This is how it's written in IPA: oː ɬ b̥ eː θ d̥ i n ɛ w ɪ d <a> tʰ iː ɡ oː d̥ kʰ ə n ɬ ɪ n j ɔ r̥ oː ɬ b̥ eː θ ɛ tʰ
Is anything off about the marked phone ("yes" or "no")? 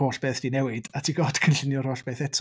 no